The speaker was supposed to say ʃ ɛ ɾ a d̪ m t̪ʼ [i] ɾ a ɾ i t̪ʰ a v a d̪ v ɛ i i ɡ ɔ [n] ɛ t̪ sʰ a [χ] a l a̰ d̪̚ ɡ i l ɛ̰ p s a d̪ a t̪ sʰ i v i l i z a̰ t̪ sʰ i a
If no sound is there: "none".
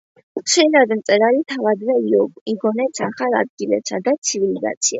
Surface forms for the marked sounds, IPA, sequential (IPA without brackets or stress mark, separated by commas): ɛ, n, χ